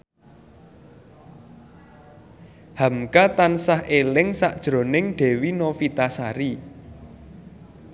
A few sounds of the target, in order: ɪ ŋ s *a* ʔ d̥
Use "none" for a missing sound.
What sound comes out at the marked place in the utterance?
a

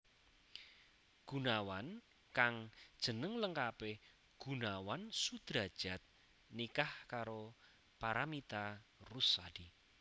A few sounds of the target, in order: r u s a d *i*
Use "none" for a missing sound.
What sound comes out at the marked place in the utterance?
i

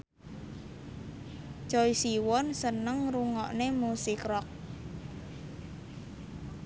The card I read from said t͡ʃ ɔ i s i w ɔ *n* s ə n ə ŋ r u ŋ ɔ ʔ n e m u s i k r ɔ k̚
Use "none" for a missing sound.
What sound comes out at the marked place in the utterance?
n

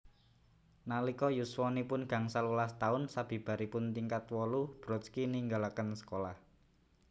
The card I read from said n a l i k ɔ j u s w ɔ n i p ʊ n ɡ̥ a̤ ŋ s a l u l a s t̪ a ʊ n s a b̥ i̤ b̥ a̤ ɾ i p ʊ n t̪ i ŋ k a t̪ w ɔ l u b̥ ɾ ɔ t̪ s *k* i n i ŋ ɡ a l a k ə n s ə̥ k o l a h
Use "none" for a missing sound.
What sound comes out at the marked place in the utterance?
k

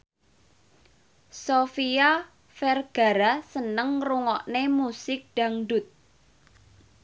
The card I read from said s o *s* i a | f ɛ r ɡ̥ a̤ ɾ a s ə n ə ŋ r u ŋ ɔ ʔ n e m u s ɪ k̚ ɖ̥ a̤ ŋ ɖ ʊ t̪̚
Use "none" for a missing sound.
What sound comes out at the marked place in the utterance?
f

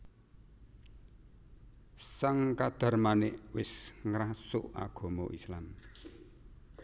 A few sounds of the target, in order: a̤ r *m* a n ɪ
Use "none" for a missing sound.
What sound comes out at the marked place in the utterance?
m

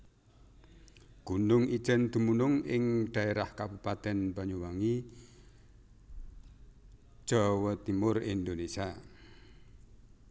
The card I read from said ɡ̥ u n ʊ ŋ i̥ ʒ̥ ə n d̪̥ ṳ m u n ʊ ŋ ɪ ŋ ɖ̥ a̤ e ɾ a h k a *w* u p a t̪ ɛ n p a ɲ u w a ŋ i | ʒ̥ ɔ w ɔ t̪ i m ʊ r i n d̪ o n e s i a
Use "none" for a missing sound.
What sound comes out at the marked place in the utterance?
b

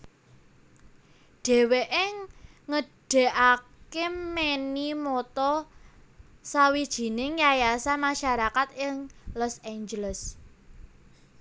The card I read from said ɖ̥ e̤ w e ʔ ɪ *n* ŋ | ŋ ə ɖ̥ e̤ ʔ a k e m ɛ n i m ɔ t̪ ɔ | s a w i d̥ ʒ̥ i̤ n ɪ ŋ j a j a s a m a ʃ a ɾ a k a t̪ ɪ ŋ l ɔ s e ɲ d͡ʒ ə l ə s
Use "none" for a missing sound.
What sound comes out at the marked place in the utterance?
none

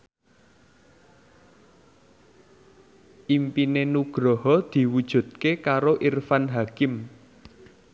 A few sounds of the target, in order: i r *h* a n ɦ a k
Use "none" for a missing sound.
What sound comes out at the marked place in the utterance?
f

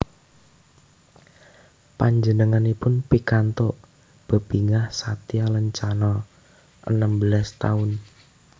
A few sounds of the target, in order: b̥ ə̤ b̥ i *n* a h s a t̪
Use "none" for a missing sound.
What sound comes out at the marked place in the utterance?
ŋ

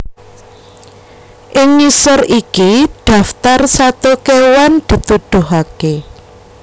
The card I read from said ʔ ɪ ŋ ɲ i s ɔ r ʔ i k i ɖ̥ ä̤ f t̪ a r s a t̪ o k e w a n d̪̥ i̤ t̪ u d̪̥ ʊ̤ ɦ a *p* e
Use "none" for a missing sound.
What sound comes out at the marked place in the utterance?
k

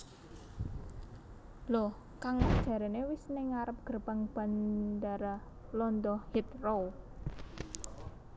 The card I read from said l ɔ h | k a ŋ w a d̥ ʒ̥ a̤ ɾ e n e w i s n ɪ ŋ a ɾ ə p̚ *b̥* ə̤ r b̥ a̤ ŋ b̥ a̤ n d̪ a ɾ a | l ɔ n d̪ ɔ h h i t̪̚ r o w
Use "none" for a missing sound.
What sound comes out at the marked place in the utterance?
ɡ̥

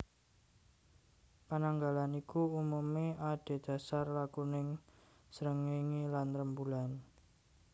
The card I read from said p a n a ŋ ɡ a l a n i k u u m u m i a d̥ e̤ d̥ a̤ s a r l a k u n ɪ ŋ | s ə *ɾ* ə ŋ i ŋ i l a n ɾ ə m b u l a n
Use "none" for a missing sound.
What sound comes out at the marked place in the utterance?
ɾ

